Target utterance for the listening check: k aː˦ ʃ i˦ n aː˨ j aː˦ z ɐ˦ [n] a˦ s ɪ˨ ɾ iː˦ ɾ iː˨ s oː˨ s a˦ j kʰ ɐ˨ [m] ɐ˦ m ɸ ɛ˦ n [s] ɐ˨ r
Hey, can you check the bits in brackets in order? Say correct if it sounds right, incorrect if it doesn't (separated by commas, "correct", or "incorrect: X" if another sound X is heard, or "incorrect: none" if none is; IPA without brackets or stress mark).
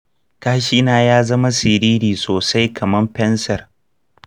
incorrect: m, correct, correct